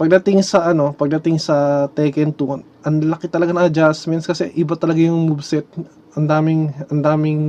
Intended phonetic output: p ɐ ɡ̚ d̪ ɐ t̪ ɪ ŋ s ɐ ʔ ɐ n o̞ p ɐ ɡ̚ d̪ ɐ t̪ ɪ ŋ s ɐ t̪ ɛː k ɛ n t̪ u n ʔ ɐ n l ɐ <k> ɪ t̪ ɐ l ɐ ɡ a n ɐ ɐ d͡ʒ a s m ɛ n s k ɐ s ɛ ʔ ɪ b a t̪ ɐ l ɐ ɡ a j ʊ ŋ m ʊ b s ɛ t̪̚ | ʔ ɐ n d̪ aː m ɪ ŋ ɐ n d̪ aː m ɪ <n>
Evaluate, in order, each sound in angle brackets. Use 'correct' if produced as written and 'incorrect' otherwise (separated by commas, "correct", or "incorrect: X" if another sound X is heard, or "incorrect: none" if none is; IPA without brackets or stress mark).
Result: correct, incorrect: ŋ